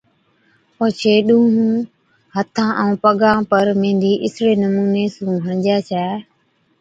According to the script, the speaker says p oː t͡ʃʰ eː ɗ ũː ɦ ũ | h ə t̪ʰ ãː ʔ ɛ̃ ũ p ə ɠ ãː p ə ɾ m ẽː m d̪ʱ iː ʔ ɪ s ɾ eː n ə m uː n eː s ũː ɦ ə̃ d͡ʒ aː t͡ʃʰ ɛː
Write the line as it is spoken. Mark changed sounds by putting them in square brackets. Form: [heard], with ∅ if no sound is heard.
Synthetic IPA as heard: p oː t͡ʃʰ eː ɗ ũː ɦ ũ | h ə t̪ʰ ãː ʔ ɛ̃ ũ p ə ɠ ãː p ə ɾ m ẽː [n] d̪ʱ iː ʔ ɪ s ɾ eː n ə m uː n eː s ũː ɦ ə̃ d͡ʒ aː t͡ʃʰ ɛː